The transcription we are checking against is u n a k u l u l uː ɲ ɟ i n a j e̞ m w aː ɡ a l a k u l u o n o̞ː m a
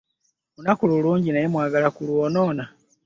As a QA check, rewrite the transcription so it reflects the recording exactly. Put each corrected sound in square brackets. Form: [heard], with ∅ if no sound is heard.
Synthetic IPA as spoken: u n a k u l u l uː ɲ ɟ i n a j e̞ m w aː ɡ a l a k u l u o n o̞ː [n] a